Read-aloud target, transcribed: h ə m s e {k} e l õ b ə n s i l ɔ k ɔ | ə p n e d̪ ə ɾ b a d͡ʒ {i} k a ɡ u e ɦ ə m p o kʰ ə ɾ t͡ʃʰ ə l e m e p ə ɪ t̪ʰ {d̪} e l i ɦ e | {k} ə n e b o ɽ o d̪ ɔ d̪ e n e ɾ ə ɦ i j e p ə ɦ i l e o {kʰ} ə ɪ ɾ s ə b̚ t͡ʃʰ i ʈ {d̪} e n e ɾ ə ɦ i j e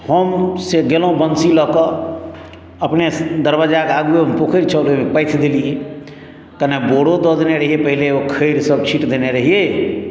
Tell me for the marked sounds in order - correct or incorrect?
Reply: incorrect: ɡ, incorrect: a, correct, correct, correct, correct

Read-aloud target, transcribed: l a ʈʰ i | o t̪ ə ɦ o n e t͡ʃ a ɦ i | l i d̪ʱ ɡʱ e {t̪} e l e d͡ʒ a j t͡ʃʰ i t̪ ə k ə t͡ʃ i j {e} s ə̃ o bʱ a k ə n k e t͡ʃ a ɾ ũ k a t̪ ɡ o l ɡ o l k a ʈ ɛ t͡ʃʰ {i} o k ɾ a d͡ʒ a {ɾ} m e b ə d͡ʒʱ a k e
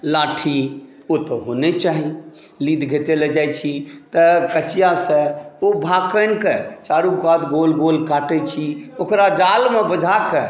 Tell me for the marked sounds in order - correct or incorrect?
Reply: correct, incorrect: a, correct, incorrect: l

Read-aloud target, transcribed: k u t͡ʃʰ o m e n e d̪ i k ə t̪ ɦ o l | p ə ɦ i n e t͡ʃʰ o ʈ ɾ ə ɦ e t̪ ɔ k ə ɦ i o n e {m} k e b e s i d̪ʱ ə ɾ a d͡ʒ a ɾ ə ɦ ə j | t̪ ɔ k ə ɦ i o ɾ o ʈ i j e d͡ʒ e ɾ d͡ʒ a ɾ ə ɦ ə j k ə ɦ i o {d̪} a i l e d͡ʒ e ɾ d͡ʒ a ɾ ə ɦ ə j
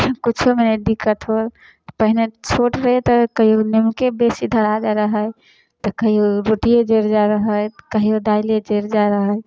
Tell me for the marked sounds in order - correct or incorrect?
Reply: correct, correct

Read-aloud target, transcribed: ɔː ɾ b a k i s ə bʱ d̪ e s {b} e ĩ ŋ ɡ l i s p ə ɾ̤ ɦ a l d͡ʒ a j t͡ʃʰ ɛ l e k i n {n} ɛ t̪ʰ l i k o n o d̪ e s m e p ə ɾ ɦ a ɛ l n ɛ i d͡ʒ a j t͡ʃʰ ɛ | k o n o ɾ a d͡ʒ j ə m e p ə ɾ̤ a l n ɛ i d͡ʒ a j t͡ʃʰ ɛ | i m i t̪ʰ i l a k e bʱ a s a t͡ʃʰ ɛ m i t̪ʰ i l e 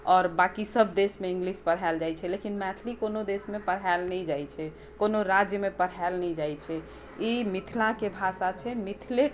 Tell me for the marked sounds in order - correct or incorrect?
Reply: incorrect: m, incorrect: m

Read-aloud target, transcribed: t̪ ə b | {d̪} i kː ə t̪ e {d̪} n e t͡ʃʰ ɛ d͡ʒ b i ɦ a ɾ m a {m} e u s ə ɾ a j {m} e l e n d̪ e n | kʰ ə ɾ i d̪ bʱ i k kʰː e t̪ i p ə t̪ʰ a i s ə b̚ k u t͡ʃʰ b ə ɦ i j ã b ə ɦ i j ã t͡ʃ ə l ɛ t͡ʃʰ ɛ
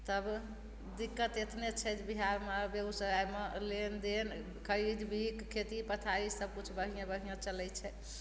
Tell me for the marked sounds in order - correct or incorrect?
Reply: correct, incorrect: t̪, incorrect: b, correct

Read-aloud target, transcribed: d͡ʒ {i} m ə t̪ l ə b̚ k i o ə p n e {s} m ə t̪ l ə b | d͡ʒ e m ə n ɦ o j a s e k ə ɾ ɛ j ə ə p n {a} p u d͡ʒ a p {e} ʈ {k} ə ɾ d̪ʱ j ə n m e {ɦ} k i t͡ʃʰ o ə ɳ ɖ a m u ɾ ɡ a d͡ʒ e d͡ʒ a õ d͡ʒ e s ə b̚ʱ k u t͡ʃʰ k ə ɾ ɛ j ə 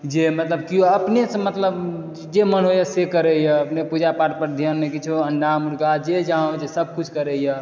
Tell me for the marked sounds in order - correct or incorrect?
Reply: incorrect: e, correct, incorrect: e, incorrect: a, incorrect: p, incorrect: none

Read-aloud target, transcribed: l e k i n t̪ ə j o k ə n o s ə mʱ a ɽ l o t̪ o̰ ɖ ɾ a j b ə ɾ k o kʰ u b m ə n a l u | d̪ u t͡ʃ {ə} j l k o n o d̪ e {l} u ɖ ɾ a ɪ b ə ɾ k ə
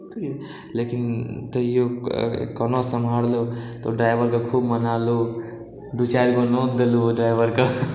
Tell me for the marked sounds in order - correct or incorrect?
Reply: incorrect: a, correct

